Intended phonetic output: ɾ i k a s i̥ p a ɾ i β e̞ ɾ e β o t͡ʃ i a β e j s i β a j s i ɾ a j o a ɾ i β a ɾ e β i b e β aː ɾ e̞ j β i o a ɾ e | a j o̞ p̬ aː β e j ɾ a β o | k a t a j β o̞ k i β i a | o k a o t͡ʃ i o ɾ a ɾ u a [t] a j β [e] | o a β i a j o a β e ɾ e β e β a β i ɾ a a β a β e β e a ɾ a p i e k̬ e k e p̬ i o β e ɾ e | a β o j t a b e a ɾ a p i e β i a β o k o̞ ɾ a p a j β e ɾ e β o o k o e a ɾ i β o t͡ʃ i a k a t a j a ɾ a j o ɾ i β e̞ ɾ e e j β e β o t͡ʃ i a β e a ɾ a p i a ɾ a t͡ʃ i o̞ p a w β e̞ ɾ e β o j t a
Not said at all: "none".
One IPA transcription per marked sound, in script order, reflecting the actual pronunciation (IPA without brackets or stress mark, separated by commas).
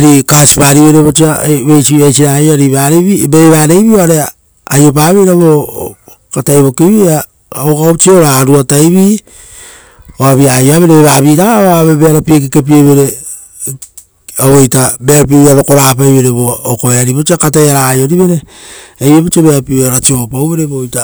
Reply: t, i